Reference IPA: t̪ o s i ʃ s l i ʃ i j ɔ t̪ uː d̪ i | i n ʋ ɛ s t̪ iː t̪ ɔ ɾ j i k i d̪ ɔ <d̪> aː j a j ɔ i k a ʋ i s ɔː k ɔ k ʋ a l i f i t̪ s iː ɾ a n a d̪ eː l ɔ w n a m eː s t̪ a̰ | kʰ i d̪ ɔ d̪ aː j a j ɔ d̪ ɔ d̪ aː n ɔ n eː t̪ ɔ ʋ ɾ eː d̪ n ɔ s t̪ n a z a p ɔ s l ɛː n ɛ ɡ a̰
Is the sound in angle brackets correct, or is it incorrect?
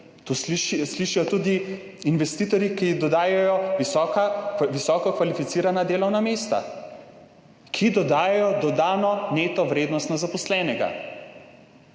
correct